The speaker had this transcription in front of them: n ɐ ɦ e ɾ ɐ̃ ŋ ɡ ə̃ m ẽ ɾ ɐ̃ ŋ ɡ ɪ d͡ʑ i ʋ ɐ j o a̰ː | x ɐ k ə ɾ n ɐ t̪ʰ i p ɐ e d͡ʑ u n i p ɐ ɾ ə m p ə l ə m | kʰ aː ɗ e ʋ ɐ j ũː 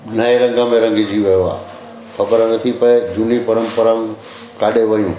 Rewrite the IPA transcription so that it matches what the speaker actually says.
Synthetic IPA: n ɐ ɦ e ɾ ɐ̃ ŋ ɡ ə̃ m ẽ ɾ ɐ̃ ŋ ɡ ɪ d͡ʑ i ʋ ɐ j o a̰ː | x ɐ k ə ɾ n ɐ t̪ʰ i p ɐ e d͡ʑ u n i p ɐ ɾ ə m p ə ɾ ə m | k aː ɗ e ʋ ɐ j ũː

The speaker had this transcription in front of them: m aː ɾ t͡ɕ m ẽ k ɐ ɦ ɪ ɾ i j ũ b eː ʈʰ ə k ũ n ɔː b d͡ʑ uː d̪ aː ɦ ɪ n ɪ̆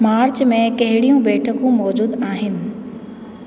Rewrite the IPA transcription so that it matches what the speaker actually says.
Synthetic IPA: m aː ɾ t͡ɕ m ẽ k ɐ ɦ ɪ ɽ i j ũ b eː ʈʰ ə k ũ m ɔː d͡ʑ uː d̪ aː ɦ ɪ n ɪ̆

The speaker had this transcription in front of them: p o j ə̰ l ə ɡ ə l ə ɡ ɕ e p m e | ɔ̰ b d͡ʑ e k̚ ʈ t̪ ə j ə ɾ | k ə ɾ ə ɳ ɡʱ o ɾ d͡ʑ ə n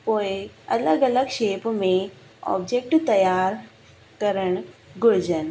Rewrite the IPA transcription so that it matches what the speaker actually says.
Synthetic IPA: p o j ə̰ l ə ɡ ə l ə ɡ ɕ e p m e | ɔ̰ b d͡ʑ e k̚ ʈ t̪ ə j a ɾ | k ə ɾ ə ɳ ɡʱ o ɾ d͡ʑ ə n

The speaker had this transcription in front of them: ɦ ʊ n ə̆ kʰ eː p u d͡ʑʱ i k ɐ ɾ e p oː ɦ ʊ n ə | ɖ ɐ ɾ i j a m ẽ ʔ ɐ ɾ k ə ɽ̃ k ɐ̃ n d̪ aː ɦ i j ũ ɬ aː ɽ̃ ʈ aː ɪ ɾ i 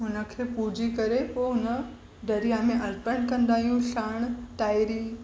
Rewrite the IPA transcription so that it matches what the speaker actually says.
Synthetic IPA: ɦ ʊ n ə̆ kʰ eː p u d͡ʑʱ i k ɐ ɾ e p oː ɦ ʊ n ə | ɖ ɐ ɾ i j a m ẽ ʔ ɐ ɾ p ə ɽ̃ k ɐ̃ n d̪ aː ɦ i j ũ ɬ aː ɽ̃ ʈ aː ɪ ɾ i

